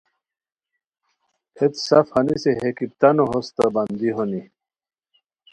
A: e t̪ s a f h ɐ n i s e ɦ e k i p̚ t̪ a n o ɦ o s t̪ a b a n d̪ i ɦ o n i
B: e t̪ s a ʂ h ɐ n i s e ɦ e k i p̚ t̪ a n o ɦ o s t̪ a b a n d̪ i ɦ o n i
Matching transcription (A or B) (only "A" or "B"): A